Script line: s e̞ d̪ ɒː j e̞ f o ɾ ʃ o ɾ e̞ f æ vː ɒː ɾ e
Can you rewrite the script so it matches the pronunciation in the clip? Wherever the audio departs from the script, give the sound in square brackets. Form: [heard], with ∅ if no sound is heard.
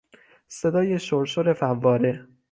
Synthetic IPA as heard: s e̞ d̪ ɒː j e̞ [ʃ] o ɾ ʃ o ɾ e̞ f æ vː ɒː ɾ e